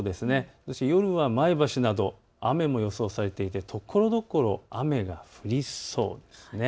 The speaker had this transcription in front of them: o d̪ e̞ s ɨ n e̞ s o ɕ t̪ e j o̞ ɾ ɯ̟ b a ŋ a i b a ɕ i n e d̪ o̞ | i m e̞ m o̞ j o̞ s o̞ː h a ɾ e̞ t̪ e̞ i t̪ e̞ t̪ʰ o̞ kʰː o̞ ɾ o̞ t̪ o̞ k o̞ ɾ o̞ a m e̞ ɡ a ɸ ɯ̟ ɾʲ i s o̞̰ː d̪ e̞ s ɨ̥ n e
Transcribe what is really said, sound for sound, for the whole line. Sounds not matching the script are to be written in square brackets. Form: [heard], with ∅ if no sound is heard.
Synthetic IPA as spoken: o d̪ e̞ s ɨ n e̞ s o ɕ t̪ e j o̞ ɾ ɯ̟ [β] a [m] a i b a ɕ i n [a] d̪ o̞ | [a] m e̞ m o̞ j o̞ s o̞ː [s] a ɾ e̞ t̪ e̞ i t̪ e̞ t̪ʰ o̞ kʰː o̞ ɾ o̞ [d̪] o̞ k o̞ ɾ o̞ a m e̞ ɡ a ɸ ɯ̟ ɾʲ i s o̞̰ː d̪ e̞ s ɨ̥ n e